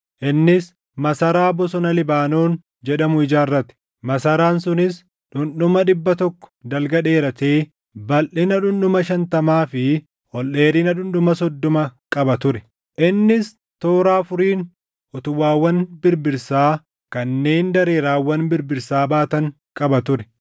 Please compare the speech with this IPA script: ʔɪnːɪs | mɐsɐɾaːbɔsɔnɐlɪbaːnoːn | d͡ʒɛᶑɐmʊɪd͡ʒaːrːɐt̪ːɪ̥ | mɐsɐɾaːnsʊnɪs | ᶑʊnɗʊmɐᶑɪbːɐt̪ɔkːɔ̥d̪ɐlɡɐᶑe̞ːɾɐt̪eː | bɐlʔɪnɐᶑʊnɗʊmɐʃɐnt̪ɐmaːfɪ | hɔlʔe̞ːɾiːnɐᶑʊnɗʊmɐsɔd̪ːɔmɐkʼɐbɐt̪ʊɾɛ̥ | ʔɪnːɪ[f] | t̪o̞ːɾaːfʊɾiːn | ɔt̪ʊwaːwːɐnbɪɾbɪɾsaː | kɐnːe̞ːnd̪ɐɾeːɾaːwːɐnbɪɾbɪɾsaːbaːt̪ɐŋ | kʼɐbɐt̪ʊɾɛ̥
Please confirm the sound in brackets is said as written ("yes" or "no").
no